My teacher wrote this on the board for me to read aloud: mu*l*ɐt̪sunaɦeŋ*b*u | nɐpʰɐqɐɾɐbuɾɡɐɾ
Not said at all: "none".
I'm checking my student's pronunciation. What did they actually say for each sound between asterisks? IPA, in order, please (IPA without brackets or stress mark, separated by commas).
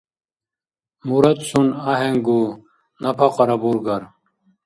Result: ɾ, ɡ